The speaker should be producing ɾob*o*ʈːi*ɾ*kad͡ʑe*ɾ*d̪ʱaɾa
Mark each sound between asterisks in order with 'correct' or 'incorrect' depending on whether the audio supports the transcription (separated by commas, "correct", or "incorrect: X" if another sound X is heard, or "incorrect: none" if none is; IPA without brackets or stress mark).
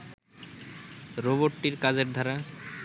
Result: correct, correct, correct